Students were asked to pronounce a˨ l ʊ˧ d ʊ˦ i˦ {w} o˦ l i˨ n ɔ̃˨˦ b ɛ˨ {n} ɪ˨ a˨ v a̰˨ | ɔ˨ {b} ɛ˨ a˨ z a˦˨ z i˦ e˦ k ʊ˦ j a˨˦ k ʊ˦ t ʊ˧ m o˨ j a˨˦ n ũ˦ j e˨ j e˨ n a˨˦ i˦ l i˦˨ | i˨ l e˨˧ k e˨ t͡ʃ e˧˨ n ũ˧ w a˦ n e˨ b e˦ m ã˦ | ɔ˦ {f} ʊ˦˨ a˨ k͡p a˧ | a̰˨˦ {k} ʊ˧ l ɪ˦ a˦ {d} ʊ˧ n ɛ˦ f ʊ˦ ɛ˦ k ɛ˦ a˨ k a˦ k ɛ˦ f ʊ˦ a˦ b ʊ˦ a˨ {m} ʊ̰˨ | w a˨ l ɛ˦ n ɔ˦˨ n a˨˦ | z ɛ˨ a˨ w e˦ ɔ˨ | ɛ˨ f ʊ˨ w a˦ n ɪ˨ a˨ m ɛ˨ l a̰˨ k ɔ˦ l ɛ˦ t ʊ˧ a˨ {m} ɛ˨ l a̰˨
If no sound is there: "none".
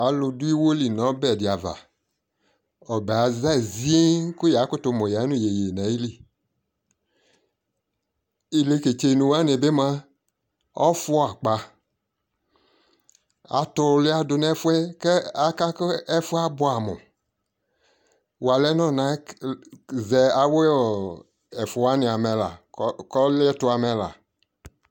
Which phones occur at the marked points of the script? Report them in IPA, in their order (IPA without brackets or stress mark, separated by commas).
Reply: w, d, b, f, t, d, m, m